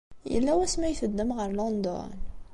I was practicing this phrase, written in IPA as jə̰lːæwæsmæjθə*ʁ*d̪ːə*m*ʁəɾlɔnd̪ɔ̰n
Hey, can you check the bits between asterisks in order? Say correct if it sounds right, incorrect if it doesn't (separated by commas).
incorrect, correct